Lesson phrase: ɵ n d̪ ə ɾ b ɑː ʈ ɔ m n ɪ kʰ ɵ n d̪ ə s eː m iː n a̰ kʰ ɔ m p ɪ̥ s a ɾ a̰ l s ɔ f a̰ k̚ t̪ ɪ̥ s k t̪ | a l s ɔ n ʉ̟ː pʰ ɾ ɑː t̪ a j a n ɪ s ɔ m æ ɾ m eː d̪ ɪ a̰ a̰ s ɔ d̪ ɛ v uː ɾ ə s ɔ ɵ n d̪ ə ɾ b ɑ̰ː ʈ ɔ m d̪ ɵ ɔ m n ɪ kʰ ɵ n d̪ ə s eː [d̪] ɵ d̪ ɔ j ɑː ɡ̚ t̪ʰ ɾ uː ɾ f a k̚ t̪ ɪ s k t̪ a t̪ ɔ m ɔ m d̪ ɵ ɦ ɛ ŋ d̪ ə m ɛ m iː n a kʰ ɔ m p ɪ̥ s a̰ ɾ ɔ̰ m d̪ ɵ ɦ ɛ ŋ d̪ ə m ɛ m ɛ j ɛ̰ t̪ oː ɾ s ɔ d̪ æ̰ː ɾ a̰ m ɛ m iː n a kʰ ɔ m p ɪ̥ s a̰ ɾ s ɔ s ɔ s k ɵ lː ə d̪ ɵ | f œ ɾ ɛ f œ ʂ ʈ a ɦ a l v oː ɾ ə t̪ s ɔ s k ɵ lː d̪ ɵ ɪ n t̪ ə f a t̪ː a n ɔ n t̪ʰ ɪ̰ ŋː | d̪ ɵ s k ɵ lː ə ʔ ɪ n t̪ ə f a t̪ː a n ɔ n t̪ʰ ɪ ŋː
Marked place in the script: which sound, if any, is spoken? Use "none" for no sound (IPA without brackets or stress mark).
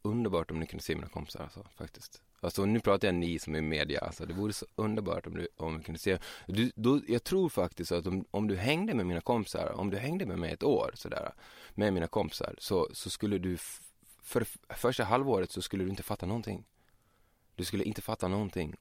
d̪